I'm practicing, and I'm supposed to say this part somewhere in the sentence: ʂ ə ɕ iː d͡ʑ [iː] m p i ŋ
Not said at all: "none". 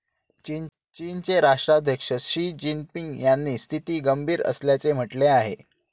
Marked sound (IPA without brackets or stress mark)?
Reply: i